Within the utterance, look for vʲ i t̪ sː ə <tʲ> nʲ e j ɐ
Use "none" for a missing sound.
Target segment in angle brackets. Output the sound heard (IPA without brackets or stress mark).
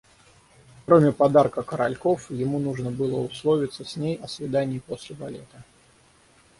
sʲ